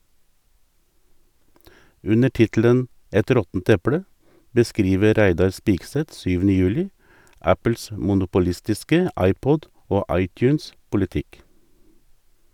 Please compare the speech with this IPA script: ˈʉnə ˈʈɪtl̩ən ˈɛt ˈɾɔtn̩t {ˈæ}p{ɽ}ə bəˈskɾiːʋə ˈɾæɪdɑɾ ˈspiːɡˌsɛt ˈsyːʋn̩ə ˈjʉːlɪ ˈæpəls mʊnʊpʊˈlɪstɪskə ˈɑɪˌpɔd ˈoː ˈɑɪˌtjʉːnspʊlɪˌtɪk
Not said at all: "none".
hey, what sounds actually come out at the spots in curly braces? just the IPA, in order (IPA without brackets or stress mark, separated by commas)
ɛ, ɽ